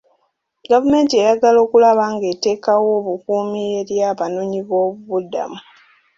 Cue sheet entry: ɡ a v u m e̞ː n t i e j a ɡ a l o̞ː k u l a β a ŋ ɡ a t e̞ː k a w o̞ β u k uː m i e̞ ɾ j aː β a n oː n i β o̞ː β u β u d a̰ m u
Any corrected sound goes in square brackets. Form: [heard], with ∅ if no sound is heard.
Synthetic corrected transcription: ɡ a v u m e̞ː n t i e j a ɡ a l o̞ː k u l a β a ŋ ɡ [e] t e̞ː k a w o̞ β u k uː m i e̞ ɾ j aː β a n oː [ɲ] i β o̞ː β u β u d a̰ m u